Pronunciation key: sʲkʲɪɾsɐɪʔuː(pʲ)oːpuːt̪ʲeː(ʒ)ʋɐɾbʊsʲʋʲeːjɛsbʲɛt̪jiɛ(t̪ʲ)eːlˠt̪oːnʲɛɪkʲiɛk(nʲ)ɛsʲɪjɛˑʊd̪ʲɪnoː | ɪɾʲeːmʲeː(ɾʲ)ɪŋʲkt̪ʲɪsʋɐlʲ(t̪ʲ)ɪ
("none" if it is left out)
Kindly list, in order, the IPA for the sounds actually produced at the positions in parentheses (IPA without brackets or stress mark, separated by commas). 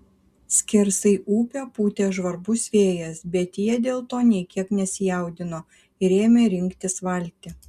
pʲ, ʒ, d̪ʲ, nʲ, ɾʲ, t̪ʲ